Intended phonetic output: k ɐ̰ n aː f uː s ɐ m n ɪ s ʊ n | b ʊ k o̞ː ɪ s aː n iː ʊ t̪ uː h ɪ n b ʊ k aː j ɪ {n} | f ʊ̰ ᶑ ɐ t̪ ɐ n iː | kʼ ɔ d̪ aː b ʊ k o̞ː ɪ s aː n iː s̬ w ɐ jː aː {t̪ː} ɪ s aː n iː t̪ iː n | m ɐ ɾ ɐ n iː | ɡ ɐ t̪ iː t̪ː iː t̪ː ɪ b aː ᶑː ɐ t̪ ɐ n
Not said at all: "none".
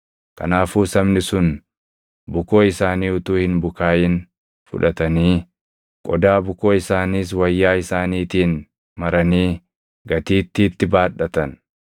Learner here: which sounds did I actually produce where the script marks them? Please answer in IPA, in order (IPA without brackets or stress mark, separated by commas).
n, none